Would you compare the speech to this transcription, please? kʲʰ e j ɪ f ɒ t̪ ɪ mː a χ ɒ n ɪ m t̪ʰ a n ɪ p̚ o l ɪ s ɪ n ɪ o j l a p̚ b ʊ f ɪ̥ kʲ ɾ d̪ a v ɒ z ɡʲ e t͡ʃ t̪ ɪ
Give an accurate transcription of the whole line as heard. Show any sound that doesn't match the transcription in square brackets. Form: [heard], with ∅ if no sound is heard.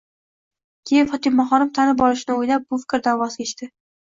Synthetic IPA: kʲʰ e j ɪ f ɒ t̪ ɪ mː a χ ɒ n ɪ m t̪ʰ a n ɪ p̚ [ɒ] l ɪ [ʃ] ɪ n ɪ o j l a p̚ b ʊ f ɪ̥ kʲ ɾ d̪ a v ɒ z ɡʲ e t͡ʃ t̪ ɪ